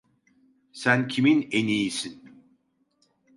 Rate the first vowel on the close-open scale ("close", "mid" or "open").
open